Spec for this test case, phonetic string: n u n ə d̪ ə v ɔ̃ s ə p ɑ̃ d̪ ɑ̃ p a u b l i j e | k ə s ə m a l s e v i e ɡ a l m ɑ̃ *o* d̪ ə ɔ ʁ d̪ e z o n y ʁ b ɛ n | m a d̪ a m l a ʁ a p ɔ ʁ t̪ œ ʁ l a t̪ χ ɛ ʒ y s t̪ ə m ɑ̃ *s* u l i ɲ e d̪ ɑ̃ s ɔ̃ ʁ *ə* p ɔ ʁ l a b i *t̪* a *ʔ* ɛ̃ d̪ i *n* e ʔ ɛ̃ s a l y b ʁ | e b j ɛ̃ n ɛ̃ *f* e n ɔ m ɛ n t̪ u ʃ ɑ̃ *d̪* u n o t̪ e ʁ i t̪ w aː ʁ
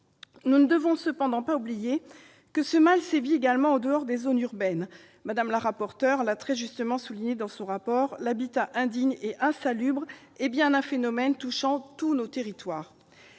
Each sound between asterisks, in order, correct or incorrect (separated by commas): correct, correct, incorrect, correct, correct, incorrect, correct, incorrect